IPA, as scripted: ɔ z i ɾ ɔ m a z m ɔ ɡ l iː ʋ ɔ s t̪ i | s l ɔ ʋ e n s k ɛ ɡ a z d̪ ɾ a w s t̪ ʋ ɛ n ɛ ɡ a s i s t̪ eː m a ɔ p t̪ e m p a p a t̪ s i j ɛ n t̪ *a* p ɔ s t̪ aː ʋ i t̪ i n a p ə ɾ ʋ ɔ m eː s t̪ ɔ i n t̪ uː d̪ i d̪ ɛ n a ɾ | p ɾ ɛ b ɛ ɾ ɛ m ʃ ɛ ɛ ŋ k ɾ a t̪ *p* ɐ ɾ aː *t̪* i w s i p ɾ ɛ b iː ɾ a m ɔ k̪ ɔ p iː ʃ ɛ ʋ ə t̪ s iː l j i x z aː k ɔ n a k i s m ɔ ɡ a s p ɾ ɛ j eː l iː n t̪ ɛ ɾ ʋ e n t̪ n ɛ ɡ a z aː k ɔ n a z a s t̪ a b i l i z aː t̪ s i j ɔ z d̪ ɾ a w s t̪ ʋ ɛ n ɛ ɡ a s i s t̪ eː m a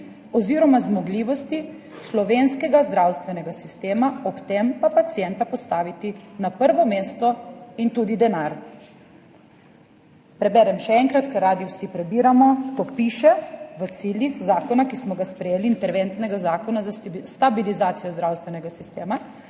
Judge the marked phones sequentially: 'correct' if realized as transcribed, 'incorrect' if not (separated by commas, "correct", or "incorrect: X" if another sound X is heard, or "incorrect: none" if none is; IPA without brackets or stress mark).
correct, incorrect: k, incorrect: d̪